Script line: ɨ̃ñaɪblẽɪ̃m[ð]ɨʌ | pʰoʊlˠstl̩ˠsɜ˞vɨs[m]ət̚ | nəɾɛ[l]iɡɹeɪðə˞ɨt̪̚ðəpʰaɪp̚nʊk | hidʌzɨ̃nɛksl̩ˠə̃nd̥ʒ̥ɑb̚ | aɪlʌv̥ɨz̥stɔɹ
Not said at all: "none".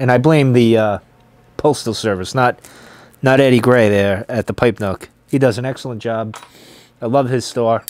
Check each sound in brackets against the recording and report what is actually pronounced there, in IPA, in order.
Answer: ð, n, ɾ

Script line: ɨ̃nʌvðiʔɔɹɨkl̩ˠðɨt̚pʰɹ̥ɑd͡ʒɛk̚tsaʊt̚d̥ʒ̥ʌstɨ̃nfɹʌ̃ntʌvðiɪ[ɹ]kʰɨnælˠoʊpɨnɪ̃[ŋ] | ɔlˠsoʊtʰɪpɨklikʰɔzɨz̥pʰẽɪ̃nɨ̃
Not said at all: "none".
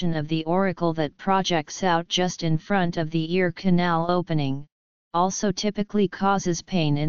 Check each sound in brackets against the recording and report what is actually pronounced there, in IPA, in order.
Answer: ɹ, ŋ

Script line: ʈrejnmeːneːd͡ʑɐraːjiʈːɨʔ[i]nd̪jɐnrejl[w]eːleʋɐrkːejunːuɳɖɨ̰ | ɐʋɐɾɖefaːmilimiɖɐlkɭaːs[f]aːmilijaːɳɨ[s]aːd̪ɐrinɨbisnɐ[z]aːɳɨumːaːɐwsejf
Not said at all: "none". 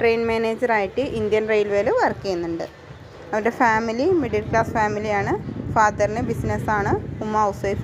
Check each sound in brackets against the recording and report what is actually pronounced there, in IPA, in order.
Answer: i, ʋ, f, f, s

